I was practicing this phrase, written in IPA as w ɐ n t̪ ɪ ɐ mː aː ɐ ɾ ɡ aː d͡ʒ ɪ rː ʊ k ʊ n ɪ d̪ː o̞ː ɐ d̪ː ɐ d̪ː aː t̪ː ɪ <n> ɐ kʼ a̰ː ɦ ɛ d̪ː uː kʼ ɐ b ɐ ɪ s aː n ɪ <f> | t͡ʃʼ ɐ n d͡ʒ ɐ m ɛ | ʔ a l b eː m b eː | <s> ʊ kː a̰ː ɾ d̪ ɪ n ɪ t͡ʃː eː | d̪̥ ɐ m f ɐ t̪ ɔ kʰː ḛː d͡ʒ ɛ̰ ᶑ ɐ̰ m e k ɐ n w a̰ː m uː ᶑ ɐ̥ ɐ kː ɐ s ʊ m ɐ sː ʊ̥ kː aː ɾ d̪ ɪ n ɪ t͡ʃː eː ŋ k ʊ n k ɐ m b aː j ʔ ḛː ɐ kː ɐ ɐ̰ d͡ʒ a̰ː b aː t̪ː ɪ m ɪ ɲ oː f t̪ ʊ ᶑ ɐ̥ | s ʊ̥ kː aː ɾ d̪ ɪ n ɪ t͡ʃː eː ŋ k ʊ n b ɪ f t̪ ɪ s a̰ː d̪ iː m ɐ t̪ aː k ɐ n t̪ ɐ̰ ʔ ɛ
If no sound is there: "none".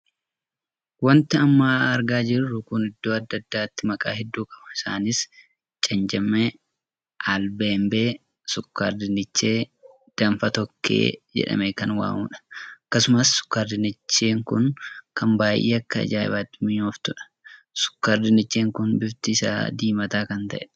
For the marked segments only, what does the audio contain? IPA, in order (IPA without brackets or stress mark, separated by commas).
m, s, s